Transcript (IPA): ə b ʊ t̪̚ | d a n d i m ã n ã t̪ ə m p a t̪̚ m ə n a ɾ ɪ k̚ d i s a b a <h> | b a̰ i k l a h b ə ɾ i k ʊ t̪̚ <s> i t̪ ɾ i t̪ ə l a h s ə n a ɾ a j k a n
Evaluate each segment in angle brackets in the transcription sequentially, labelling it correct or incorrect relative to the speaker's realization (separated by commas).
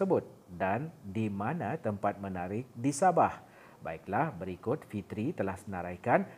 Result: correct, incorrect